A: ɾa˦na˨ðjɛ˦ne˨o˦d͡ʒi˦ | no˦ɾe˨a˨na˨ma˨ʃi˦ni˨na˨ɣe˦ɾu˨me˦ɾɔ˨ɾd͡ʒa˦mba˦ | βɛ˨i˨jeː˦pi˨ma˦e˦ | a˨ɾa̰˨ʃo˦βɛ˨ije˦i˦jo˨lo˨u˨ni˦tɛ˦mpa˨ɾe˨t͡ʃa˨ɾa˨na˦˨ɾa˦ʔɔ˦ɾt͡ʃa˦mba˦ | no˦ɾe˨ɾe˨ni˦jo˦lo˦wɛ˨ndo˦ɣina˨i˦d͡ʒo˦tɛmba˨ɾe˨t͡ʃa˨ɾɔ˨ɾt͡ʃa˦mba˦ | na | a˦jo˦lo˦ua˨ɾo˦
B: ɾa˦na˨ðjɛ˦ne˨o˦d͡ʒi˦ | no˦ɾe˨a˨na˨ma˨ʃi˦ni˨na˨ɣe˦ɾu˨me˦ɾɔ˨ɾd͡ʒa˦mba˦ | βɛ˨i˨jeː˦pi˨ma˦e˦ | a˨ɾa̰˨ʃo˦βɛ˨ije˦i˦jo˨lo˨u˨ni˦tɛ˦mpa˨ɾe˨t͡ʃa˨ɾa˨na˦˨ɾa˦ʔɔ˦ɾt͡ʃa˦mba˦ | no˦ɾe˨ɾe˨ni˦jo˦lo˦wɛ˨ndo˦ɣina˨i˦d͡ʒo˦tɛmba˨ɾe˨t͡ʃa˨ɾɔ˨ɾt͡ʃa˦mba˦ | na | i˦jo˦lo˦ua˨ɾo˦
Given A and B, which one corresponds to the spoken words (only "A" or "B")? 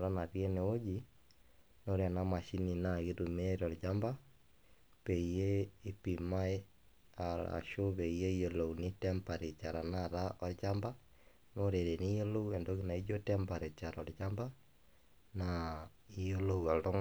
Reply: B